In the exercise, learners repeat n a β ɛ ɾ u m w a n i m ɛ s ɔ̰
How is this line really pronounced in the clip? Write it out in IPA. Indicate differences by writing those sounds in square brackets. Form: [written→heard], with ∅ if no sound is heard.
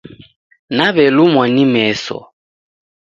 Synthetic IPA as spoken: n a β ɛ [ɾ→l] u m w a n i m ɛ s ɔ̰